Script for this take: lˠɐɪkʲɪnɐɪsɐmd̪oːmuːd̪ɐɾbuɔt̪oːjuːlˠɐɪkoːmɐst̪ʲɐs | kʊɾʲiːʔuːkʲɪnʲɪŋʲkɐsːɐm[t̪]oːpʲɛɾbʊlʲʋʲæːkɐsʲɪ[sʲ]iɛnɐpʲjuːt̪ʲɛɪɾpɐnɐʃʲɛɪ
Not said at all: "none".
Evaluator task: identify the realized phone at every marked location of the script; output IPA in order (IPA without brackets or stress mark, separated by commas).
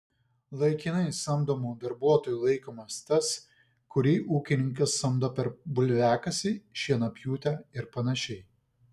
d̪, ʃʲ